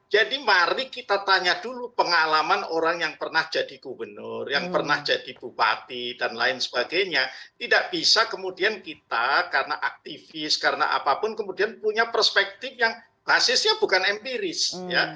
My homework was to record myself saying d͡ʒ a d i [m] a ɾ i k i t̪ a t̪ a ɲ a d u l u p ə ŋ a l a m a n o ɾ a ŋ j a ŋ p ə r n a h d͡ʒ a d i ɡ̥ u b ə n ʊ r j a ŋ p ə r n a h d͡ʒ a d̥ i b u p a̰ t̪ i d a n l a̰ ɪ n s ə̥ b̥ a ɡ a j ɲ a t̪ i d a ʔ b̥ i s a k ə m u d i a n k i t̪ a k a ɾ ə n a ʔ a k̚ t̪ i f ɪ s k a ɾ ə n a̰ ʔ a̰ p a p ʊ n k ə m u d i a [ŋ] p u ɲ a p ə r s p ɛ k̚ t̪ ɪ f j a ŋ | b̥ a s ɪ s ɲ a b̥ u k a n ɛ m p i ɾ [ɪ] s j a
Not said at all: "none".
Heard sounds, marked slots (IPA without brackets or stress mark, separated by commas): m, n, ɪ